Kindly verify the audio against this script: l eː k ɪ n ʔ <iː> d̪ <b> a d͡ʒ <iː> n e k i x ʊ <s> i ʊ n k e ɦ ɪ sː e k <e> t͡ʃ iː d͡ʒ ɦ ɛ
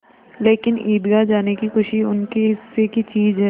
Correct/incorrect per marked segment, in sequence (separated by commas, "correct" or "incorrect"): correct, incorrect, incorrect, incorrect, incorrect